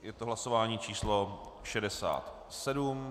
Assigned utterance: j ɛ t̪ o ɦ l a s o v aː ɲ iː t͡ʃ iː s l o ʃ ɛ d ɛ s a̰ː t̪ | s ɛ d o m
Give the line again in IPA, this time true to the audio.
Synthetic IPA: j ɛ t̪ o ɦ l a s o v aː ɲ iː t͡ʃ iː s l o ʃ ɛ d ɛ s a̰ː t̪ | s ɛ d u m